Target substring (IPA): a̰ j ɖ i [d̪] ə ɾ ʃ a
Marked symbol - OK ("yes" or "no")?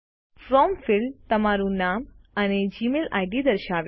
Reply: yes